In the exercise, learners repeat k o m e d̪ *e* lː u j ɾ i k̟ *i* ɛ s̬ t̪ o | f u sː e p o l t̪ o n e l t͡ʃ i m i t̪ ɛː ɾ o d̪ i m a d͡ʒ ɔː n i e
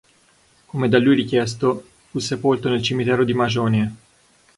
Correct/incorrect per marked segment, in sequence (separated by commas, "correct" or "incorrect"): incorrect, incorrect